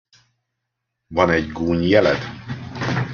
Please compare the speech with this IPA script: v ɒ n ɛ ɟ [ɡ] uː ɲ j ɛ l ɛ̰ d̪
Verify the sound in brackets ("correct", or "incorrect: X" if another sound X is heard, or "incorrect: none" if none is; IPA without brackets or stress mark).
correct